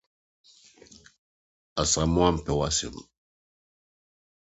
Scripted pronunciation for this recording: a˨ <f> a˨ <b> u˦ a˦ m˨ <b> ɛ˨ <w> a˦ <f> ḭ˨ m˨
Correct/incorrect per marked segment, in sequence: incorrect: s, incorrect: m, incorrect: p, correct, incorrect: s

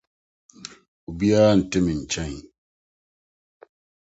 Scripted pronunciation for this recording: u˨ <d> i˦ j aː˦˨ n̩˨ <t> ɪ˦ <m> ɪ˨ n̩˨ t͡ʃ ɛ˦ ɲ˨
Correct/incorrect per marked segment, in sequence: incorrect: b, correct, correct

